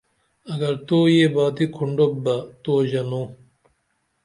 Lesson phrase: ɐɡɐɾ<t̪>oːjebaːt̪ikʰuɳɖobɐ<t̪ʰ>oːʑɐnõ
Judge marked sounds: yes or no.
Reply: yes, no

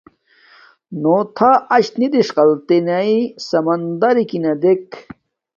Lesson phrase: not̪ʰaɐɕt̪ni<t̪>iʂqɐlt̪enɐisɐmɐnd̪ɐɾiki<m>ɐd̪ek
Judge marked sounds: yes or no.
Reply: no, no

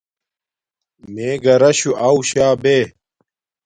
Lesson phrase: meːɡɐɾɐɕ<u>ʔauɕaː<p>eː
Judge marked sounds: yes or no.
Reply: yes, no

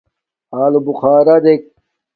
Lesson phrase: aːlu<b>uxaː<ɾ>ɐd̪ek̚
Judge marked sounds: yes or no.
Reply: yes, yes

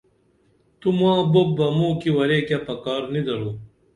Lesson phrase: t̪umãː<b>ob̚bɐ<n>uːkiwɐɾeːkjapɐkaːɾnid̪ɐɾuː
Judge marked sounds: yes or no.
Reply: yes, no

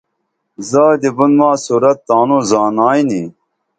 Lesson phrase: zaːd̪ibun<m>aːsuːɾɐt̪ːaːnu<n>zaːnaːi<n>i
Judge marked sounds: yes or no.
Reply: yes, no, yes

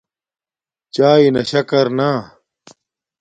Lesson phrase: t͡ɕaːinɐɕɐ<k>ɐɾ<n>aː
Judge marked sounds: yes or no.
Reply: yes, yes

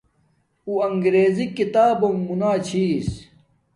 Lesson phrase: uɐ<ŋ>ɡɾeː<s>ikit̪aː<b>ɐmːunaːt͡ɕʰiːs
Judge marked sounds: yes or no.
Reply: yes, no, yes

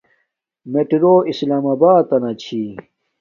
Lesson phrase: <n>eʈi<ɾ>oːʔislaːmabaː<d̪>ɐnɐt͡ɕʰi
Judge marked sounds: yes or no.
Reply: no, yes, no

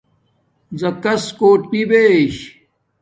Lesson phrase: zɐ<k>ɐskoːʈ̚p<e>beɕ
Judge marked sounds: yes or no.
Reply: yes, no

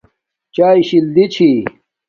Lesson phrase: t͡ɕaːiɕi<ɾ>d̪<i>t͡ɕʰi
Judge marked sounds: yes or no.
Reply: no, yes

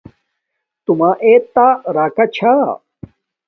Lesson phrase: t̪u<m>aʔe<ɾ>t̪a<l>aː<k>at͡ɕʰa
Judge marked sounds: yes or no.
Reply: yes, no, no, yes

